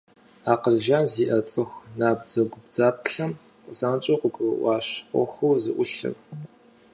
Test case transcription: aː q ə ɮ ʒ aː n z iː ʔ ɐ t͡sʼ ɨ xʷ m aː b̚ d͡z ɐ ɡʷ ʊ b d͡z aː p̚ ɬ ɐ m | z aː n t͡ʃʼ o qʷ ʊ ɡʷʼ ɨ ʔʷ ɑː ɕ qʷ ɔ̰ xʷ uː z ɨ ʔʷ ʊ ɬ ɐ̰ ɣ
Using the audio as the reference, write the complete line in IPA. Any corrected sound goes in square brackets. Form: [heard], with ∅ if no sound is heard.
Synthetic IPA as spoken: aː q ə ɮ ʒ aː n z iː ʔ ɐ t͡sʼ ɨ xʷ [n] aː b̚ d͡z ɐ ɡʷ ʊ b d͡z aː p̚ ɬ ɐ m | z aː n t͡ʃʼ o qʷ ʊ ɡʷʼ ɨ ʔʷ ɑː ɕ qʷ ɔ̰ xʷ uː z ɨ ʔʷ ʊ ɬ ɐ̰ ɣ